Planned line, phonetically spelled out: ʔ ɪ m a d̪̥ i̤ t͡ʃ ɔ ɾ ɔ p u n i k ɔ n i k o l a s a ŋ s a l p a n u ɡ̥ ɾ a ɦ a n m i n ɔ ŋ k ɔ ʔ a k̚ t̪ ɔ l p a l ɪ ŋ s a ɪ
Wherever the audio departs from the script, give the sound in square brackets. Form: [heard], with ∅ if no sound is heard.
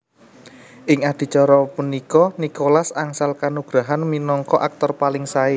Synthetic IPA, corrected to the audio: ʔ ɪ [ŋ] a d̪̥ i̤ t͡ʃ ɔ ɾ ɔ p u n i k ɔ n i k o l a s a ŋ s a l [k] a n u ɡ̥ ɾ a ɦ a n m i n ɔ ŋ k ɔ ʔ a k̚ t̪ ɔ [r] p a l ɪ ŋ s a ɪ